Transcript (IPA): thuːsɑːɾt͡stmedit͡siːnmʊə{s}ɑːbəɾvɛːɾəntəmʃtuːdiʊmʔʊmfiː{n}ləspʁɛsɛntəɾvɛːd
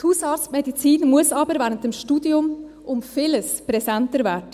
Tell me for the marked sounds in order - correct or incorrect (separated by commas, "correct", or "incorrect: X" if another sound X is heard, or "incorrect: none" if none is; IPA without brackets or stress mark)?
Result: correct, incorrect: none